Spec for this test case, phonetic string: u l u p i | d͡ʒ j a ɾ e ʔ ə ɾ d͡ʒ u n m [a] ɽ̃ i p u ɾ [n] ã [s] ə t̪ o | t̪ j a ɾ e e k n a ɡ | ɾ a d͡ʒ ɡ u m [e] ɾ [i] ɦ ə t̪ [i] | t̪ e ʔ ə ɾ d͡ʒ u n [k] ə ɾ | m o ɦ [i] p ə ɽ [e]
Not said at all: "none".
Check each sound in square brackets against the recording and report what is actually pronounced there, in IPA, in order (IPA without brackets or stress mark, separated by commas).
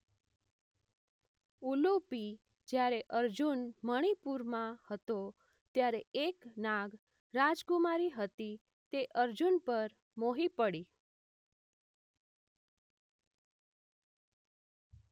ə, m, h, a, i, i, p, i, i